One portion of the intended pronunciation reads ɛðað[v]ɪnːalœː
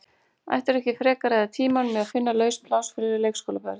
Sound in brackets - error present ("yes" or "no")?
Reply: yes